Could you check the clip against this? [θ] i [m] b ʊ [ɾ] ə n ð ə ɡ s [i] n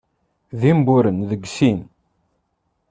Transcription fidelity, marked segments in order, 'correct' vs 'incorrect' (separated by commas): incorrect, correct, correct, correct